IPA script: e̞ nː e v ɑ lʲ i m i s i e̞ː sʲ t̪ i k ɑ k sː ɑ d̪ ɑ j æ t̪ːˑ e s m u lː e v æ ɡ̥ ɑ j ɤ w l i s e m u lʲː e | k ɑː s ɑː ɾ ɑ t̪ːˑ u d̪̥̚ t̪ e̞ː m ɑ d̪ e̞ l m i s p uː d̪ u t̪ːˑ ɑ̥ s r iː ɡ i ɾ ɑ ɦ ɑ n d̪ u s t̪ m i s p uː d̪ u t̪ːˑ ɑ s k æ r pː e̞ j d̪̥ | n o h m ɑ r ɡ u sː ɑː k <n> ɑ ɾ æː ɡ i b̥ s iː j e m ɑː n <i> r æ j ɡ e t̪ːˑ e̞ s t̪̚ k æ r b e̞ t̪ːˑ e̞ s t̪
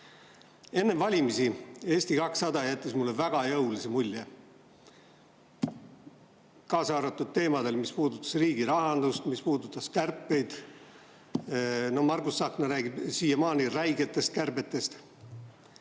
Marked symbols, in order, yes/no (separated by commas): yes, yes